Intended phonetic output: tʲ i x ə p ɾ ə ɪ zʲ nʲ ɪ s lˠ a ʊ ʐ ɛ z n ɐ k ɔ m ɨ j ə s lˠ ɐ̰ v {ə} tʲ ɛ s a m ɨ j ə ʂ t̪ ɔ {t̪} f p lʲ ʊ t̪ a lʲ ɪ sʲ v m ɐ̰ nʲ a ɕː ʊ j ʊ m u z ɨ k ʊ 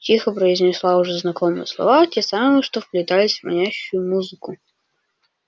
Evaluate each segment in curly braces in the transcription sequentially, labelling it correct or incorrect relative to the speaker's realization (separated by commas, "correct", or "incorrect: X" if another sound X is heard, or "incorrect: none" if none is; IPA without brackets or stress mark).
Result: incorrect: a, incorrect: none